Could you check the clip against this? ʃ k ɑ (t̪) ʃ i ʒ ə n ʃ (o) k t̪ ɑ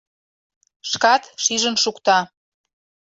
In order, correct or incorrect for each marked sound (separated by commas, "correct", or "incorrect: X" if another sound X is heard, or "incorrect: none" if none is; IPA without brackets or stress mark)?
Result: correct, incorrect: u